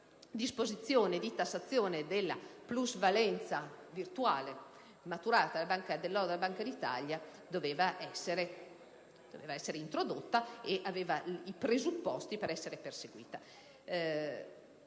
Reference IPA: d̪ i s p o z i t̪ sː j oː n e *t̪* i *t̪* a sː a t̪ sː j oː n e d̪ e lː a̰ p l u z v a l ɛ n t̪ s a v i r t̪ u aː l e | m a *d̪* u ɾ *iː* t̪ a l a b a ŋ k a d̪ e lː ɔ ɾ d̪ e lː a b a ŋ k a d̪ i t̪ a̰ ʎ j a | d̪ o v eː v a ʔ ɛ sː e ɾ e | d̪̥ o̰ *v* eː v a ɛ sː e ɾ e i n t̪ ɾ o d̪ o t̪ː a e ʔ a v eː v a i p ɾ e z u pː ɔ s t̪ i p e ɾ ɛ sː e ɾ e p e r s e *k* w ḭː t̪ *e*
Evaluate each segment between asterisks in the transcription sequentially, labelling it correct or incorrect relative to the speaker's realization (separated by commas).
incorrect, correct, incorrect, incorrect, correct, incorrect, incorrect